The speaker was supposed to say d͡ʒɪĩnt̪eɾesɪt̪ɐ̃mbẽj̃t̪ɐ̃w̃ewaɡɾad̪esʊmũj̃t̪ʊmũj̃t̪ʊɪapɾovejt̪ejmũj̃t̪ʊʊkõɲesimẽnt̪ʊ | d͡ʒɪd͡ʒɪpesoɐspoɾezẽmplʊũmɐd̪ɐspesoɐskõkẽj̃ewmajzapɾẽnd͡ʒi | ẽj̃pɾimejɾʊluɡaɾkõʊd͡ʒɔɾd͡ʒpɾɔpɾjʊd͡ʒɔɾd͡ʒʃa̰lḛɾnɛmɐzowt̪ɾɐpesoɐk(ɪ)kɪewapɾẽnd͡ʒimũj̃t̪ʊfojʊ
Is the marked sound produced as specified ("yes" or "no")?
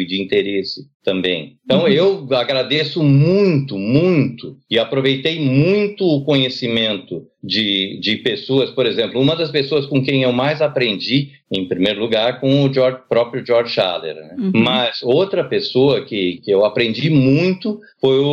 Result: yes